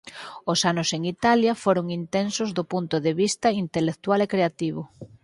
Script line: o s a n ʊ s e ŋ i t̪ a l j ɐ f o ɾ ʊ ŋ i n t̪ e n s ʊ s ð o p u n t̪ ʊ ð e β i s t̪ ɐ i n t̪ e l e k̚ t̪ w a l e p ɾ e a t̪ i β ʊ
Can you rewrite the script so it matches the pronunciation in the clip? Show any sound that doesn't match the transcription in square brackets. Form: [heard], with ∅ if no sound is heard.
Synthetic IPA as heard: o s a n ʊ s e ŋ i t̪ a l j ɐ f o ɾ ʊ ŋ i n t̪ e n s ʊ [z] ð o p u n t̪ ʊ ð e β i s t̪ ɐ i n t̪ e l e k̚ t̪ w a l e [k] ɾ e a t̪ i β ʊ